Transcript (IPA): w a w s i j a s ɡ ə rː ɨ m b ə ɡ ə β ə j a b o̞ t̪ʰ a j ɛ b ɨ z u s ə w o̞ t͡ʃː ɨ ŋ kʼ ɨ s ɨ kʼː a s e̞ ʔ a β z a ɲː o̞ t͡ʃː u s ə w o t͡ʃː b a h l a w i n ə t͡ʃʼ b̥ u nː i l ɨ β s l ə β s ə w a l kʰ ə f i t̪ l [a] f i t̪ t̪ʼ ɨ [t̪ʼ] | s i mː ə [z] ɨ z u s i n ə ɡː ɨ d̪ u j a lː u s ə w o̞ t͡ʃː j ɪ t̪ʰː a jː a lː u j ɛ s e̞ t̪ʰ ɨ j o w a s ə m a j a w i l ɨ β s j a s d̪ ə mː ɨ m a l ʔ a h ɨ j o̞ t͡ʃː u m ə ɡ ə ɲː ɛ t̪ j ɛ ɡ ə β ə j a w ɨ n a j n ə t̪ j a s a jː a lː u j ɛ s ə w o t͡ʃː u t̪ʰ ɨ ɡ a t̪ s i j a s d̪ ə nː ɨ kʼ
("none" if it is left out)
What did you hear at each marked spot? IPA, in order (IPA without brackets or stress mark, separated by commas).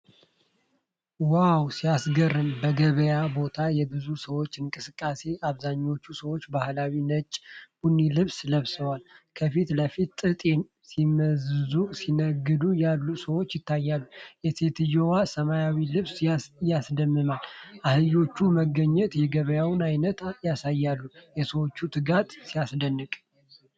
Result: ə, t̪ʼ, z